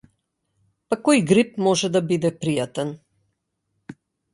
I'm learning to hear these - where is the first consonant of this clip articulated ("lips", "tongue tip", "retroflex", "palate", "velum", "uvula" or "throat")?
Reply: lips